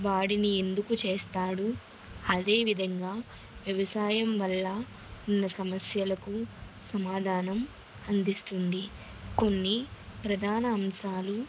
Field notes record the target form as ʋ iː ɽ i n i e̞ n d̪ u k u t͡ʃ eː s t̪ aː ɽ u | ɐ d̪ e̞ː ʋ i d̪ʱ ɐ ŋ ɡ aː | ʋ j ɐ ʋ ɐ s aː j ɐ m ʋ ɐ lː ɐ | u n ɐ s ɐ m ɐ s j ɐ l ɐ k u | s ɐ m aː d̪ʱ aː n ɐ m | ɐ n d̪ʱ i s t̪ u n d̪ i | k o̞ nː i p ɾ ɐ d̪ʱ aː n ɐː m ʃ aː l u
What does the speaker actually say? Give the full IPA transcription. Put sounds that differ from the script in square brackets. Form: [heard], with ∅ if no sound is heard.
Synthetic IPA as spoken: ʋ [aː] ɽ i n i e̞ n d̪ u k u t͡ʃ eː s t̪ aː ɽ u | ɐ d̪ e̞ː ʋ i d̪ʱ ɐ ŋ ɡ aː | ʋ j ɐ ʋ ɐ s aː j ɐ m ʋ ɐ lː ɐ | u [nː] ɐ s ɐ m ɐ s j ɐ l ɐ k u | s ɐ m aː d̪ʱ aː n ɐ m | ɐ n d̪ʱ i s t̪ u n d̪ i | k o̞ nː i p ɾ ɐ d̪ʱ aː n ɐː m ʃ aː l u